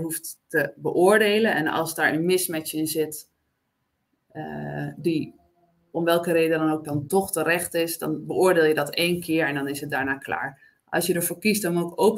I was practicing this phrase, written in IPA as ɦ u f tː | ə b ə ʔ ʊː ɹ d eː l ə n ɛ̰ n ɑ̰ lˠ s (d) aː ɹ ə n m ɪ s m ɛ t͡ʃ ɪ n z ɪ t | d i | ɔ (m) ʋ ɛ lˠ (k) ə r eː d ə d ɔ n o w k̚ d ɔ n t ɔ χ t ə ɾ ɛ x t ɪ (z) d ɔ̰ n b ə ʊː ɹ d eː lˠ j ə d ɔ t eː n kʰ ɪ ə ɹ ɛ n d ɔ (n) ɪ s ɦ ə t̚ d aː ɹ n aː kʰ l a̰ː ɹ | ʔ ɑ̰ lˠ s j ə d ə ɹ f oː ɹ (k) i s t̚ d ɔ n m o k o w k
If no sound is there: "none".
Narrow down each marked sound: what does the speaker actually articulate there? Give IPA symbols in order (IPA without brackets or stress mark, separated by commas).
d, m, k, s, n, k